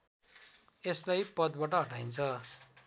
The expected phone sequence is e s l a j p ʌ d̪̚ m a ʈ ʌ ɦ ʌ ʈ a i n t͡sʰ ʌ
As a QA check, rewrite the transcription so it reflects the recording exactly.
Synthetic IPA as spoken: e s l a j p ʌ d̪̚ b a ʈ ʌ ɦ ʌ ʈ a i n t͡sʰ ʌ